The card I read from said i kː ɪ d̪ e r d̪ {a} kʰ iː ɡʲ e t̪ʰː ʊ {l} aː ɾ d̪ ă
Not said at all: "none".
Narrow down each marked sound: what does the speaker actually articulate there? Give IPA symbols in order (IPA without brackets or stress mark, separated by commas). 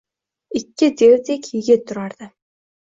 e, ɾ